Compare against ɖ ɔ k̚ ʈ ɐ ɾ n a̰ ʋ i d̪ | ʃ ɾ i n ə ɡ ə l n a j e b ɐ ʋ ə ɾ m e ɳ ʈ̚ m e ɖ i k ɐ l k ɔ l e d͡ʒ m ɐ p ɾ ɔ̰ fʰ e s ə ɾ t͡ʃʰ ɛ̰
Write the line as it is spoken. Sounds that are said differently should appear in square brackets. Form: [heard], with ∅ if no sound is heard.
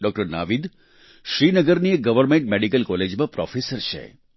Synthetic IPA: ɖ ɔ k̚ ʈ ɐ ɾ n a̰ ʋ i d̪ | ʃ ɾ i n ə ɡ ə [ɾ] n [i] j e [ɡ] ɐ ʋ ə ɾ m e ɳ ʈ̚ m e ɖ i k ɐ l k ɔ l e d͡ʒ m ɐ p ɾ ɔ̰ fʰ e s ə ɾ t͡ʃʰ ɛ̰